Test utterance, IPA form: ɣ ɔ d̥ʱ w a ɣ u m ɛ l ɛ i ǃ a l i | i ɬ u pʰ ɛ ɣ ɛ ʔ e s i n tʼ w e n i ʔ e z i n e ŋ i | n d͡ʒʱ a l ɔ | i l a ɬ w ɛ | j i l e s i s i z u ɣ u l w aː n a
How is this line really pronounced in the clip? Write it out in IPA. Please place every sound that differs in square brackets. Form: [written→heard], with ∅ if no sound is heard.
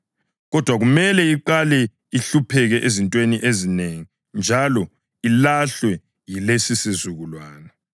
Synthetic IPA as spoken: ɣ ɔ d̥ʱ w a ɣ u m ɛ l ɛ i ǃ a l [i→ɛ] | i ɬ u pʰ ɛ ɣ ɛ ʔ e [s→z] i n tʼ w e n i ʔ e z i n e ŋ i | n d͡ʒʱ a l ɔ | i l a ɬ w ɛ | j i l e s i s i z u ɣ u l w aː n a